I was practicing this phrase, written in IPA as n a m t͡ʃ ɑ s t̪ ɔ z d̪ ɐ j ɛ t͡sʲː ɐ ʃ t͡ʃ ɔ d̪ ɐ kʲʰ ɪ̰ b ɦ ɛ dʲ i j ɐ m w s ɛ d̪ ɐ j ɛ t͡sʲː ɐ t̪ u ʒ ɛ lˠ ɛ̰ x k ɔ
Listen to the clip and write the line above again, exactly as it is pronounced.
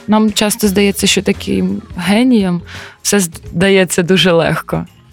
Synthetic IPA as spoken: n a m t͡ʃ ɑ s t̪ ɔ z d̪ ɐ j ɛ t͡sʲː ɐ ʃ t͡ʃ ɔ t̪ ɐ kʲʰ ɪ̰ m ɦ ɛ nʲ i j ɐ m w s ɛ d̪ ɐ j ɛ t͡sʲː ɐ d̪ u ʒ ɛ lˠ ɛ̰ x k ɔ